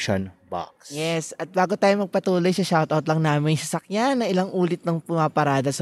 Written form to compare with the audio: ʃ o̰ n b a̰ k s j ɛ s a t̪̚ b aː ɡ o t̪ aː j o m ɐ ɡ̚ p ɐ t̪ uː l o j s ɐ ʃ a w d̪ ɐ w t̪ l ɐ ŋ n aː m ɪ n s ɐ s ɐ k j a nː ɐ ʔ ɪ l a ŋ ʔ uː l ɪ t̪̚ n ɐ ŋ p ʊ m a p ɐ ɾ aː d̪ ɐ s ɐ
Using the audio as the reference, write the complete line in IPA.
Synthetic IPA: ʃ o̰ n b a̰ k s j ɛ s ɐ t̪̚ b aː ɡ o t̪ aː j o m ɐ ɡ̚ p ɐ t̪ uː l o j s ɐ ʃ a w t̪ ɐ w t̪ l ɐ ŋ n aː m ɪ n s ɐ s ɐ k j a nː ɐ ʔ ɪ l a ŋ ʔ uː l ɪ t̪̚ n ɐ ŋ p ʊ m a p ɐ ɾ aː d̪ ɐ s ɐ